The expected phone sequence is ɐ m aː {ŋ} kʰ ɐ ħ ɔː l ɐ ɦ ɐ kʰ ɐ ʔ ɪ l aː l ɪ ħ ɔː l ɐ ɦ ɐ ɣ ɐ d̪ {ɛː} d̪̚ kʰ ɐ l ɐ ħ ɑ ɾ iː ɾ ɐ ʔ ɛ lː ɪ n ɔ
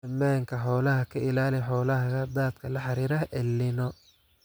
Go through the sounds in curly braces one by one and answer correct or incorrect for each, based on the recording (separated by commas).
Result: correct, incorrect